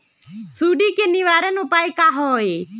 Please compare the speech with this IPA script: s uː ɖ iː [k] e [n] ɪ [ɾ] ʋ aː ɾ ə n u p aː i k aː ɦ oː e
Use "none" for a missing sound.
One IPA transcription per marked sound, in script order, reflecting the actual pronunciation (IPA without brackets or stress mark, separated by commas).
k, n, none